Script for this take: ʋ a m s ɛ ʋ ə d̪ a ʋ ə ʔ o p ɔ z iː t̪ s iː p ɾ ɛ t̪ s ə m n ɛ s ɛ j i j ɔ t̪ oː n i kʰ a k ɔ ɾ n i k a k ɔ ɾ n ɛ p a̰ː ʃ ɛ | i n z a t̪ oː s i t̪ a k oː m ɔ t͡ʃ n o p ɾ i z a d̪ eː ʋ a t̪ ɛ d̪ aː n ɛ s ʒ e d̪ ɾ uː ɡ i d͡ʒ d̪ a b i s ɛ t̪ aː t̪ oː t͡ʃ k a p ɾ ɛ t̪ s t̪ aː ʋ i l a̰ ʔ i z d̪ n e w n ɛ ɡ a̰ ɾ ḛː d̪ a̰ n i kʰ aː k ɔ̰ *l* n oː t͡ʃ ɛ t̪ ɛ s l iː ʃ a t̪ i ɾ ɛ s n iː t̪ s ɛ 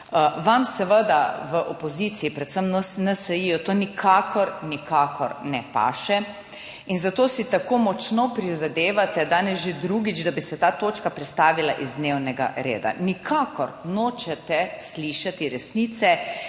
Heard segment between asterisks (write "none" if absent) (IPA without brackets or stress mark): ɾ